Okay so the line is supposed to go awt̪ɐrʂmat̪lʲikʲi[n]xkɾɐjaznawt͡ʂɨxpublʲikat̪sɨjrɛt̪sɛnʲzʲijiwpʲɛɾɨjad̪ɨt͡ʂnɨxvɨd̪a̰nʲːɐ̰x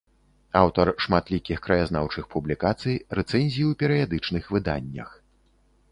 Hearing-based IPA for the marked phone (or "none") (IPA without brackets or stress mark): none